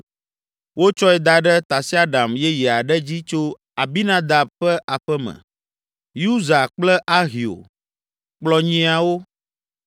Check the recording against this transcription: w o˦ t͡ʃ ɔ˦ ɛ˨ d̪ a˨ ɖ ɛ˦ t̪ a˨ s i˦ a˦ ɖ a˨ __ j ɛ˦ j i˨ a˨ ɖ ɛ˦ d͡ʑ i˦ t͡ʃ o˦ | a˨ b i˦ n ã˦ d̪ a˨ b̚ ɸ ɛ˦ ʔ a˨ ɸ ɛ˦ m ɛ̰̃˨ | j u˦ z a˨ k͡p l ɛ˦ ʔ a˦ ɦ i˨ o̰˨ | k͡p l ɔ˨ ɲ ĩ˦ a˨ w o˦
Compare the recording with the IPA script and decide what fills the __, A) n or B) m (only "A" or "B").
B